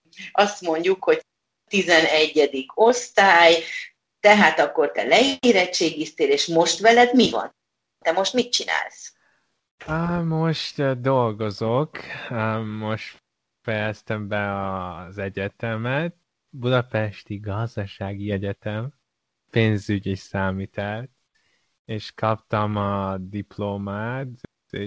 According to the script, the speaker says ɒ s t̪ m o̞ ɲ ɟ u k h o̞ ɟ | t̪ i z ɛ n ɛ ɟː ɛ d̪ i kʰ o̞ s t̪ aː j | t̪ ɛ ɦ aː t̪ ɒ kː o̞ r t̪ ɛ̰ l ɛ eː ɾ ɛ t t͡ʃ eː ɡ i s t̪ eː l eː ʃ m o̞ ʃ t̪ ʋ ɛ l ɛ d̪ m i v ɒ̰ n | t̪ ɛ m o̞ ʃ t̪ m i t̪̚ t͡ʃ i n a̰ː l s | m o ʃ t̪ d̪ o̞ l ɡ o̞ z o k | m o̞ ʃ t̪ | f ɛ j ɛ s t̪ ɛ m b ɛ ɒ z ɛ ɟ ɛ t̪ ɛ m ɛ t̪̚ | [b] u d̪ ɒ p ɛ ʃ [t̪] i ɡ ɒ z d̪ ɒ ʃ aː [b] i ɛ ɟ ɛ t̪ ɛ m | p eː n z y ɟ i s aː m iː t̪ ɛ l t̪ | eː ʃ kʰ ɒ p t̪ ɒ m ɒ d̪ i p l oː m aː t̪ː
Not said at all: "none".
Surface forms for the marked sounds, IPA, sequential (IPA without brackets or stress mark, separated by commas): b, t̪, ɡ